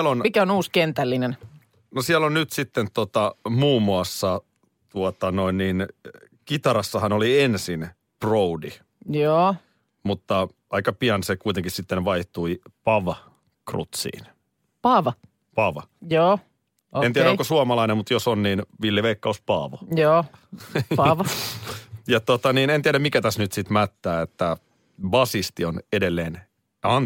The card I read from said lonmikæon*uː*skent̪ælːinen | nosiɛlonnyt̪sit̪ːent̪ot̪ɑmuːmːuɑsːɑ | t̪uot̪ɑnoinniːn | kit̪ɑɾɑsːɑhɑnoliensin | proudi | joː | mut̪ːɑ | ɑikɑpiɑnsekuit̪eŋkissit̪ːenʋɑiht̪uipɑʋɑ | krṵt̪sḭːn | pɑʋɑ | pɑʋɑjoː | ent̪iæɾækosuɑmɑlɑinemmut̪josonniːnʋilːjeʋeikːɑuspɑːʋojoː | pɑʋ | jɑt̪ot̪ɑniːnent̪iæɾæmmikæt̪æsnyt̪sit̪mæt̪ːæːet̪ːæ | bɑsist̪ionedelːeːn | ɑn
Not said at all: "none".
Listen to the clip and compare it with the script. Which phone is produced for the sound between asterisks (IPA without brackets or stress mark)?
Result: uː